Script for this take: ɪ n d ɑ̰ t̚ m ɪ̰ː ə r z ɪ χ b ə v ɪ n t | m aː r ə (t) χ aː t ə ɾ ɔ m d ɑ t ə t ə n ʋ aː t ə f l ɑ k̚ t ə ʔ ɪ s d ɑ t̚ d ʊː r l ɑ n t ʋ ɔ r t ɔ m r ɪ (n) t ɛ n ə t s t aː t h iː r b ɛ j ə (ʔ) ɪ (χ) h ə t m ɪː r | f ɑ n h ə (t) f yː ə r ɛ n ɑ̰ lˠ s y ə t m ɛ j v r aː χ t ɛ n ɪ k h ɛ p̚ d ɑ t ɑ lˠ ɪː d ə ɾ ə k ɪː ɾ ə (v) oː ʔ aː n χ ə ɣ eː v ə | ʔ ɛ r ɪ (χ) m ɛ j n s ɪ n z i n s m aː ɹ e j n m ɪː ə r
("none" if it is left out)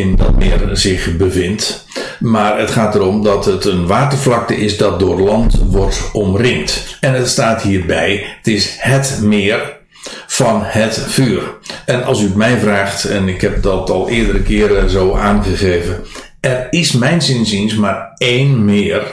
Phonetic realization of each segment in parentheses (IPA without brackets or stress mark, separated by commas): t, ŋ, t, s, t, z, s